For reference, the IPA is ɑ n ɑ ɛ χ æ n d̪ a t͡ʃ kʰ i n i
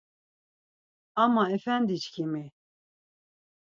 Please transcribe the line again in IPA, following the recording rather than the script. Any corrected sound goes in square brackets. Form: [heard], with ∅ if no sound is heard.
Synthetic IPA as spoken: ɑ [m] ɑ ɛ [f] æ n d̪ [i] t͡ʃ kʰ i [m] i